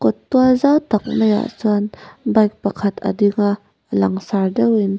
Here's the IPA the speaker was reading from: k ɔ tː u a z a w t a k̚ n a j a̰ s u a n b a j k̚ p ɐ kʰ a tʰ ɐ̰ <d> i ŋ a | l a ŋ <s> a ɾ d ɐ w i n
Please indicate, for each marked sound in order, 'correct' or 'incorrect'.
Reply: correct, correct

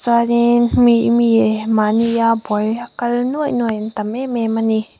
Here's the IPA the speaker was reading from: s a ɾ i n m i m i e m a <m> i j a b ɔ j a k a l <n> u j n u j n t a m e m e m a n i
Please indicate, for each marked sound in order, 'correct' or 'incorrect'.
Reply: incorrect, correct

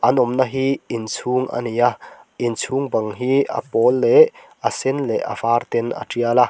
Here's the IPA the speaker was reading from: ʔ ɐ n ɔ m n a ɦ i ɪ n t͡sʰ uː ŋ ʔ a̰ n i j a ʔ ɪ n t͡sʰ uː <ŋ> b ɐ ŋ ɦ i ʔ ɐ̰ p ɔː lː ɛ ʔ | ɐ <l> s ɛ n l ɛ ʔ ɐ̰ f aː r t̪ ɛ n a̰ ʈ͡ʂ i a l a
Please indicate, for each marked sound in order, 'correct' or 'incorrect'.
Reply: correct, incorrect

